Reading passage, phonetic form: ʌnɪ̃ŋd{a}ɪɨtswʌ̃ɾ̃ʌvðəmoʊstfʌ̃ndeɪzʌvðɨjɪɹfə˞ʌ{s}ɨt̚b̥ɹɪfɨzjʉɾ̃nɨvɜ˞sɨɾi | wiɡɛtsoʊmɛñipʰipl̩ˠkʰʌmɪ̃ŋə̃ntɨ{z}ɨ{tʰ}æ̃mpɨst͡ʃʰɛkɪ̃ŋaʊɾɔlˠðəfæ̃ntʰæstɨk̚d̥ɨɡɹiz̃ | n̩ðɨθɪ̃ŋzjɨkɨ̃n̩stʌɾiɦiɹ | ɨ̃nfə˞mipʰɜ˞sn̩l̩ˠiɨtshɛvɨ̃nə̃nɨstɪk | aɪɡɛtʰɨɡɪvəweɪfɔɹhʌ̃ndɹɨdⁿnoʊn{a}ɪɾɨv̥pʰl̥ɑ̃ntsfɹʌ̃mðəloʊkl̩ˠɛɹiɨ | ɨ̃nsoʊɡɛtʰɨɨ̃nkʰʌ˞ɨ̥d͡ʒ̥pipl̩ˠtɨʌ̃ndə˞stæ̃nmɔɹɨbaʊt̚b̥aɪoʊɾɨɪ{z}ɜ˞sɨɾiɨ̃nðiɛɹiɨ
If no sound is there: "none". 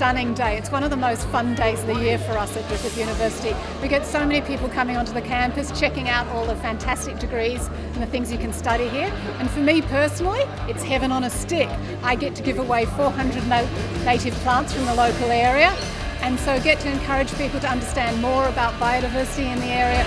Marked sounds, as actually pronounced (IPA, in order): e, s, ð, kʰ, e, v

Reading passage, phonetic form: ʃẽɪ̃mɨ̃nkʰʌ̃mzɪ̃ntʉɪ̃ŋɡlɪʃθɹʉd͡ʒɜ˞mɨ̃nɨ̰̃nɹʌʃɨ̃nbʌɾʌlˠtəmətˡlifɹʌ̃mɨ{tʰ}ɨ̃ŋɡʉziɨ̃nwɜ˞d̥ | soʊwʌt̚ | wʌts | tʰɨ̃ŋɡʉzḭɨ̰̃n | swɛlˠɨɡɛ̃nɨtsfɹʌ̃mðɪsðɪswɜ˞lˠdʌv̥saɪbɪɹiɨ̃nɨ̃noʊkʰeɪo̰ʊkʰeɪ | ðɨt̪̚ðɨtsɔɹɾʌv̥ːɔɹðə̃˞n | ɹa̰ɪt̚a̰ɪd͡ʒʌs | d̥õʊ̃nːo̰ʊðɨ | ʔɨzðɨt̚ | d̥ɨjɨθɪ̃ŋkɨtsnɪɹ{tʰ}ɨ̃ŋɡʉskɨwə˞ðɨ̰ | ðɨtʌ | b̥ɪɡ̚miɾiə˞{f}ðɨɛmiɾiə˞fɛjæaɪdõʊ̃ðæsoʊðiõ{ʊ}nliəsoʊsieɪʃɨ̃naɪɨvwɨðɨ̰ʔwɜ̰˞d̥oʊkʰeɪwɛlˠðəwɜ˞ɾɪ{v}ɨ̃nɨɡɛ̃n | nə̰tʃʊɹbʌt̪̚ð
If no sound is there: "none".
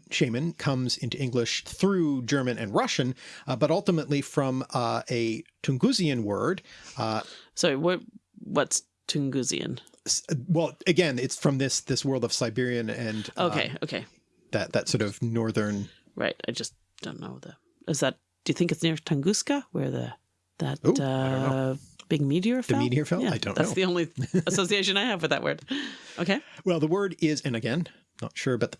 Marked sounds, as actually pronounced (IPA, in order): tʰ, tʰ, f, ʊ̃, z

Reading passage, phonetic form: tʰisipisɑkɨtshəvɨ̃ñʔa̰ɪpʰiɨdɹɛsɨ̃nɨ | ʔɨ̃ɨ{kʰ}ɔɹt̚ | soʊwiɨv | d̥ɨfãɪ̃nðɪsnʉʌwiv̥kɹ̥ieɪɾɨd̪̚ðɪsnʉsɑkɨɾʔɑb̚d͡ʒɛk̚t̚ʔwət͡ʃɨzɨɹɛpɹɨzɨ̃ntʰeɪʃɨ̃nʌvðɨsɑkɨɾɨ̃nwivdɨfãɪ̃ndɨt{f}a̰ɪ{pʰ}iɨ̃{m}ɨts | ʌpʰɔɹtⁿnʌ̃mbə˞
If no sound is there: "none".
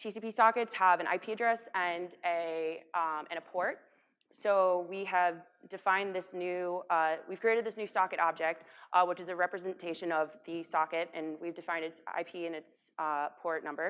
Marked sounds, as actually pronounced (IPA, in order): pʰ, s, pʰ, n

